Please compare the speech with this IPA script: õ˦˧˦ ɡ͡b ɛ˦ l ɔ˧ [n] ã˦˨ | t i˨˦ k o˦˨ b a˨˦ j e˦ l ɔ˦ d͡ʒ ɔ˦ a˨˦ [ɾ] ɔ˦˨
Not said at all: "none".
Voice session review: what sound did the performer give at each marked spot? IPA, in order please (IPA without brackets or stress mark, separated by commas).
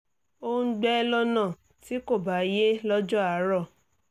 n, ɾ